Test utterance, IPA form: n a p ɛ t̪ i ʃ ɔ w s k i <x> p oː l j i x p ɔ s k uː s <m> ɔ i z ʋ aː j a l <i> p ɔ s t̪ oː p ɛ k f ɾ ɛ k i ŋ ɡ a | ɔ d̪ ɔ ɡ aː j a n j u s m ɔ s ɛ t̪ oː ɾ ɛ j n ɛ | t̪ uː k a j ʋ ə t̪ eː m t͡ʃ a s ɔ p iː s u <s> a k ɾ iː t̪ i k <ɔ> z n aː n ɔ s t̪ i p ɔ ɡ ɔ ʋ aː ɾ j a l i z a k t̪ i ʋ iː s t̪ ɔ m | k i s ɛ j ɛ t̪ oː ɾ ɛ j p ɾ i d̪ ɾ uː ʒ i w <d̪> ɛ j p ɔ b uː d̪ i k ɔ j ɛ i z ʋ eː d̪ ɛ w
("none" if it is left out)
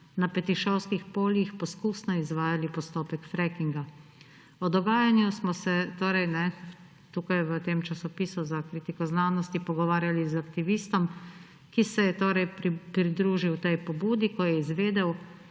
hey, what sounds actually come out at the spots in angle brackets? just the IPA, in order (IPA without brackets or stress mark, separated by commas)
x, n, i, z, ɔ, t̪